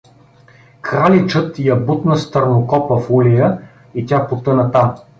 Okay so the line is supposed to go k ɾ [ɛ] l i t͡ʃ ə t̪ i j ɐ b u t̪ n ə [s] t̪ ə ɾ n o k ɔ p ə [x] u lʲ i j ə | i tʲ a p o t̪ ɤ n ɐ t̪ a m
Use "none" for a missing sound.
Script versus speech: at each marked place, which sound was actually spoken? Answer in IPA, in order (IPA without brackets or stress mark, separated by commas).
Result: a, s, f